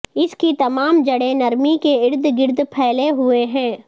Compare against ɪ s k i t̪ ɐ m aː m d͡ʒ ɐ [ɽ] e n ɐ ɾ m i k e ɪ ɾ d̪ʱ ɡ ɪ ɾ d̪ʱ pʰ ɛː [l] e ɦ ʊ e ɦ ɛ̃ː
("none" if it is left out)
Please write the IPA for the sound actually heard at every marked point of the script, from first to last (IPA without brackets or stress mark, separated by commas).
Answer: ɽ, l